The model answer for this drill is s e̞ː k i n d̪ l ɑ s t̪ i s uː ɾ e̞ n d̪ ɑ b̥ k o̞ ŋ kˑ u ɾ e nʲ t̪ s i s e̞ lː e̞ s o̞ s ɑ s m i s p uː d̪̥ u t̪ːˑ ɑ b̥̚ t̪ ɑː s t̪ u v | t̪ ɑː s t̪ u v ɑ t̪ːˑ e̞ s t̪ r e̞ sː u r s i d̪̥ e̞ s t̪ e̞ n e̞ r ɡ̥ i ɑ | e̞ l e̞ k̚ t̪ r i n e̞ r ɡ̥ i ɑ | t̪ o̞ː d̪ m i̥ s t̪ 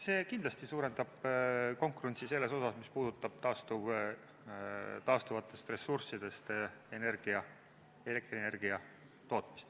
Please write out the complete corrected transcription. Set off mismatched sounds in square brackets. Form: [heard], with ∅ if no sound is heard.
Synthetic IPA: s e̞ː k i n d̪ l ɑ s t̪ i s uː ɾ e̞ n d̪ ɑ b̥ k o̞ ŋ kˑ u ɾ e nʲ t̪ s i s e̞ lː e̞ s o̞ s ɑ s m i s p uː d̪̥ u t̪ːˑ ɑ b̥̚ t̪ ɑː s t̪ u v | t̪ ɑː s t̪ u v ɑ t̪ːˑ e̞ s t̪ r e̞ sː u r s i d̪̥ e̞ s t̪ e̞ n e̞ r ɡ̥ i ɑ | e̞ l e̞ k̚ t̪ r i n e̞ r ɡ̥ i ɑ | t̪ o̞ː [t̪] m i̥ s t̪

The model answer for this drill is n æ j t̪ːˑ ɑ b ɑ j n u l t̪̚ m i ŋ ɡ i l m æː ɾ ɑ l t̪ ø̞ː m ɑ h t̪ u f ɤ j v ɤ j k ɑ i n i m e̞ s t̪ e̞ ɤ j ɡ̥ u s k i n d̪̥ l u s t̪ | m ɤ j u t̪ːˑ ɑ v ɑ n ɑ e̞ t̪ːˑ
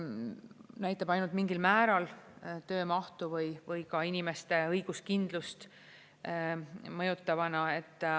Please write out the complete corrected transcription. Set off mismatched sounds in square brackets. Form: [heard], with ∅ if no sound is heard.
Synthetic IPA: n æ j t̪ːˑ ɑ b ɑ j n u l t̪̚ m i ŋ ɡ i l m æː ɾ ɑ l t̪ ø̞ː m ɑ h t̪ u [v] ɤ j v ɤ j k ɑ i n i m e̞ s t̪ e̞ ɤ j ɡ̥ u s k i n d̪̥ l u s t̪ | m ɤ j u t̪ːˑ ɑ v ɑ n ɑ e̞ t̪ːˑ

